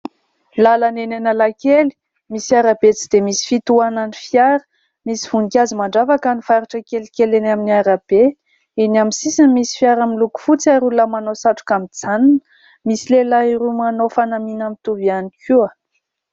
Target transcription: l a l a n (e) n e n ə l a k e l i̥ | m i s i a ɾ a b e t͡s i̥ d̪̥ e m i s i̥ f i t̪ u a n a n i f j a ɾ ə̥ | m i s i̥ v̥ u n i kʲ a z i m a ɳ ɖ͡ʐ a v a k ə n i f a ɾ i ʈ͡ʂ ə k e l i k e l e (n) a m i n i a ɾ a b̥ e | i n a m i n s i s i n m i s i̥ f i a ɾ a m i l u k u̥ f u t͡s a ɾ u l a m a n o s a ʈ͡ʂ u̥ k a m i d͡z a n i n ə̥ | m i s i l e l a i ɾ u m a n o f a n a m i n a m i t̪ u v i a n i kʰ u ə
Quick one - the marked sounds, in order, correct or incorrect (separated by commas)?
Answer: correct, correct